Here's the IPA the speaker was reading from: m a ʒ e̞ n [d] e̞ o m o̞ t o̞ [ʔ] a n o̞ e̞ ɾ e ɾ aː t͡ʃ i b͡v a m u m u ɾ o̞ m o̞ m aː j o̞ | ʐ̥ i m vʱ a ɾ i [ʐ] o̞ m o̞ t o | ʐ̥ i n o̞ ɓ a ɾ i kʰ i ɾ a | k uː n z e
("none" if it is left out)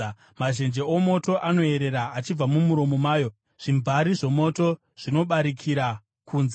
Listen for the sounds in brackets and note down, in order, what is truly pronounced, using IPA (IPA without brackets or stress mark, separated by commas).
d͡ʒ, ʔ, ʐ